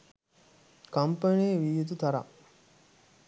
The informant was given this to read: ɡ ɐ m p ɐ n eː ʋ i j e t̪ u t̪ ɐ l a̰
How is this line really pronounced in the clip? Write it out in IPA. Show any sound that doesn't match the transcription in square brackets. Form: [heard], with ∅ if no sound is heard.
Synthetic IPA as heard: [k] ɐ m p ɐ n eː ʋ i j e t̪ u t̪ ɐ [ɾ] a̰